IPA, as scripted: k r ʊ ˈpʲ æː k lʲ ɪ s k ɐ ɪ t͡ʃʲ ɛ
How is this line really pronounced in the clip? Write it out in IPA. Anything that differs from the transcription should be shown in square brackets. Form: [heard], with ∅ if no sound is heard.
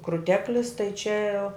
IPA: k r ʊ [ˈtʲ] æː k lʲ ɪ s [t] ɐ ɪ t͡ʃʲ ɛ